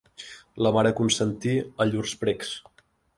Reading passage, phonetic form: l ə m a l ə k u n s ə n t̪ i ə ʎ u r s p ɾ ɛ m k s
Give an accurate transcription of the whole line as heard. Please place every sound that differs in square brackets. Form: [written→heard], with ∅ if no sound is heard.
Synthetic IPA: l ə m a [l→ɾ] ə k u n s ə n t̪ i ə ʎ u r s p ɾ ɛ [m→∅] k s